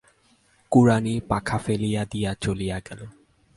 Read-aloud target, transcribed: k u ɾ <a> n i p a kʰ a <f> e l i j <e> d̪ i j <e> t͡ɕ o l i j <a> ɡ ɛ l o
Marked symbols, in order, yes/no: yes, yes, no, no, yes

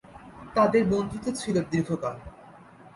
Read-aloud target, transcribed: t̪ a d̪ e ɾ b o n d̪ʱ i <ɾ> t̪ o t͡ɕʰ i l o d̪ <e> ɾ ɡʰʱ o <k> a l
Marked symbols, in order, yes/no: no, no, yes

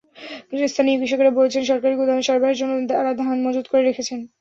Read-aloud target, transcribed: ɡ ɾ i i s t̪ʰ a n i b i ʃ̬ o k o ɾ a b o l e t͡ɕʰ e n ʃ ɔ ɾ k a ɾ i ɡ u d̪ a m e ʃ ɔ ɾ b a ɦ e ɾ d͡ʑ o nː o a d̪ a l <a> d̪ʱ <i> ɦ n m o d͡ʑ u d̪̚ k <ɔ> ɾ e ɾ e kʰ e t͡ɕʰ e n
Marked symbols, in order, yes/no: yes, no, no

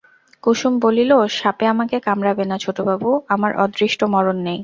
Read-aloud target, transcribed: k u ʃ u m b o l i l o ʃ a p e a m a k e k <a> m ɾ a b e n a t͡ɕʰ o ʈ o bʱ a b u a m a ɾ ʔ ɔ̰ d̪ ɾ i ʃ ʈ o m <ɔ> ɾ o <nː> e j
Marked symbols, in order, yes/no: yes, yes, yes

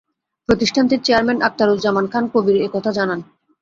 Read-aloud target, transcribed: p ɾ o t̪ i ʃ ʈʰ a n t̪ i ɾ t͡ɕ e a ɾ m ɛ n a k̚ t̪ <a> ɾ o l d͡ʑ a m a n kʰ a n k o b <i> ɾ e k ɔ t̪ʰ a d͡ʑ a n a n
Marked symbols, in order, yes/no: yes, yes

